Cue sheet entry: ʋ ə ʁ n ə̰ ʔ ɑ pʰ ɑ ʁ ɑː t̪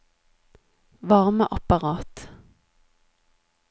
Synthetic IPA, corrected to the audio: ʋ ɑ ʁ m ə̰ ʔ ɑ p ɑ ʁ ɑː t̪